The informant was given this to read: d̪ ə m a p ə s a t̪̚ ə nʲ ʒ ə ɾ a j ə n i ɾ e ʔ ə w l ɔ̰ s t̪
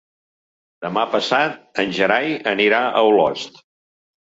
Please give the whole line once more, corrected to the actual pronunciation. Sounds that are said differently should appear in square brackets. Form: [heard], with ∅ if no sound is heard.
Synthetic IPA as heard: d̪ ə m a p ə s a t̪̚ ə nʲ ʒ ə ɾ a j ə n i ɾ [a] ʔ ə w l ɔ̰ s t̪

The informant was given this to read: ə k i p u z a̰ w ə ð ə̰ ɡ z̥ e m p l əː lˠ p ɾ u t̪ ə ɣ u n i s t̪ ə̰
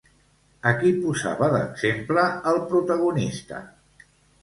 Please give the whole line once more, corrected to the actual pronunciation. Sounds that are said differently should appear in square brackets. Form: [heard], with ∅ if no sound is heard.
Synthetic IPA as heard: ə k i p u z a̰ [β] ə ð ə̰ ɡ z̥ e m p l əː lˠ p ɾ u t̪ ə ɣ u n i s t̪ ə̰

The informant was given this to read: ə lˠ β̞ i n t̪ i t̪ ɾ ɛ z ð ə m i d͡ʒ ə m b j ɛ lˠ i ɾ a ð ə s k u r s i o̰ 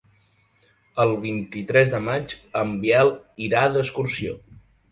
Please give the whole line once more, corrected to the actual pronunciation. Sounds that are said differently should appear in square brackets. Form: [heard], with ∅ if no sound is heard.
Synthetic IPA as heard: ə lˠ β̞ i n t̪ i t̪ ɾ ɛ z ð ə m [a] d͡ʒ ə m b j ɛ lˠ i ɾ a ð ə s k u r s i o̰

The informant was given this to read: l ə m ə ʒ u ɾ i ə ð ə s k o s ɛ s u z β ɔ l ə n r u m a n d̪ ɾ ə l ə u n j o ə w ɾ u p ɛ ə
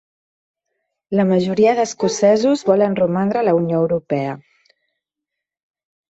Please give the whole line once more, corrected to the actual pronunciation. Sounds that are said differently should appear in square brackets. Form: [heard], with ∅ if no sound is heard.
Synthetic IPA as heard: l ə m ə ʒ u ɾ i ə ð ə s k [u] s ɛ [z] u z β ɔ l ə n r u m a n d̪ ɾ ə l ə u n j o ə w ɾ u p ɛ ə

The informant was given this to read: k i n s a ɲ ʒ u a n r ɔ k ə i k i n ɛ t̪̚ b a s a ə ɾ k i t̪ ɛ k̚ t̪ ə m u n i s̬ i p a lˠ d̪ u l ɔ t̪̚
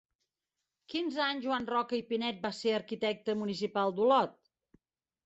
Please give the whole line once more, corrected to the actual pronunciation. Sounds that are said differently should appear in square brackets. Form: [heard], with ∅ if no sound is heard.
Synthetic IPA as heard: k i n [z] a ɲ ʒ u a n r ɔ k ə i [p] i n ɛ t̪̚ b a s [e] ə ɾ k i t̪ ɛ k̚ t̪ ə m u n i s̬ i p a lˠ d̪ u l ɔ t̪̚

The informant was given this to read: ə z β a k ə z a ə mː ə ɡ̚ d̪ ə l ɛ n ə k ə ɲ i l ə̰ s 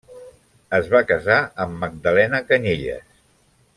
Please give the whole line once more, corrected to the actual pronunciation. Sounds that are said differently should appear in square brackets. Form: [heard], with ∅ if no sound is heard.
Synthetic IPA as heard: ə z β a k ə z a ə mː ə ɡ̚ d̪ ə l ɛ n ə k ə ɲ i [ʎ] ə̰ s

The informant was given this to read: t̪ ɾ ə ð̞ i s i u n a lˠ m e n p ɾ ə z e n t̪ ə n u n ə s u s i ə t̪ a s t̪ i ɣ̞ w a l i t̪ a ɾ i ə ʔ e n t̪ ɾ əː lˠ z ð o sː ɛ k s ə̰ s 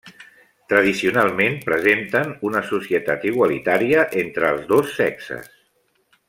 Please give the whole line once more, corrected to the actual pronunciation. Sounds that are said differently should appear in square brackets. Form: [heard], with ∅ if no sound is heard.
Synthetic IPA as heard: t̪ ɾ ə ð̞ i s i u n a lˠ m e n p ɾ ə z e n t̪ ə n u n ə s u s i ə t̪ a [∅] t̪ i ɣ̞ w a l i t̪ a ɾ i ə ʔ e n t̪ ɾ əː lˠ z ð o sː ɛ k s ə̰ s

